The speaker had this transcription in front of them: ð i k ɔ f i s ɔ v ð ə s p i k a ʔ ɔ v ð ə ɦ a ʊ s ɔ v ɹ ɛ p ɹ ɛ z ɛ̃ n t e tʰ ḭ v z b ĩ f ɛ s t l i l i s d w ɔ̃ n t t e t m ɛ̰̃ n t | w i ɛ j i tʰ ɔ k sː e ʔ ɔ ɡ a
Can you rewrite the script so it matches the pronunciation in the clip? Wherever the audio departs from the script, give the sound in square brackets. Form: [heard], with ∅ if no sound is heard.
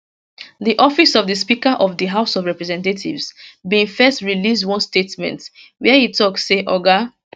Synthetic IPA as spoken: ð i [ʔ] ɔ f i s ɔ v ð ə s p i k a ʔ ɔ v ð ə ɦ a ʊ s ɔ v ɹ ɛ p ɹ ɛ z ɛ̃ n t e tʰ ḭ v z b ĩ f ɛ s t [ɹ] i l i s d w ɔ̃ n [s] t e t m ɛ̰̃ n t | w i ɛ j i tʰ ɔ k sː e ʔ ɔ ɡ a

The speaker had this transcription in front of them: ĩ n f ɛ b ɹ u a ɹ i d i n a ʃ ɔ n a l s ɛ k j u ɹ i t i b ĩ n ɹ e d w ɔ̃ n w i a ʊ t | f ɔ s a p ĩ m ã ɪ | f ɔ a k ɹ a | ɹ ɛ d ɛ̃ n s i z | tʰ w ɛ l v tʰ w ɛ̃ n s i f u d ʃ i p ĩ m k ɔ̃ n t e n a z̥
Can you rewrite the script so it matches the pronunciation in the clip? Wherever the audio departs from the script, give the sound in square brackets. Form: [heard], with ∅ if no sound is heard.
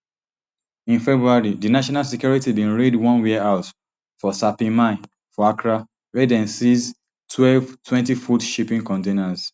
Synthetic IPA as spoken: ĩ n f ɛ b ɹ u a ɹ i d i n a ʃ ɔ n a l s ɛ k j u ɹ i t i b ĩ n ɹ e d w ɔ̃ n w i a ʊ t | f ɔ s a p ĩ m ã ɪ | f ɔ a k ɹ a | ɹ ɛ d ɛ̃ n s i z | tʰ w ɛ l v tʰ w ɛ̃ n [t] i f u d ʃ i p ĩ [ŋ] k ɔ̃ n t e n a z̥

